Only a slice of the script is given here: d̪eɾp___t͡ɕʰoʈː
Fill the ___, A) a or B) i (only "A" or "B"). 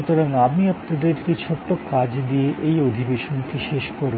B